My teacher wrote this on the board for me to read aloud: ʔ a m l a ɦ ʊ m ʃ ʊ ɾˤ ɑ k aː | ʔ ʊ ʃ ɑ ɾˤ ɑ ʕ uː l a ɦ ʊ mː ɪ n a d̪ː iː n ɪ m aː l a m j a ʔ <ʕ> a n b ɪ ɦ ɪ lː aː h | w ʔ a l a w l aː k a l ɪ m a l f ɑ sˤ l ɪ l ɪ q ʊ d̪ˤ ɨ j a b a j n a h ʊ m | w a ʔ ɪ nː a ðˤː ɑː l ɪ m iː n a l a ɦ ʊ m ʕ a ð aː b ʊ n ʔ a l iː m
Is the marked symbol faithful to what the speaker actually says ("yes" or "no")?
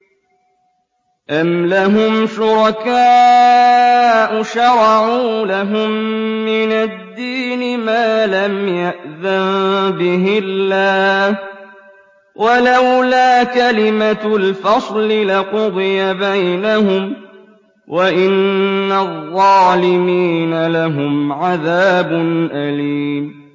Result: no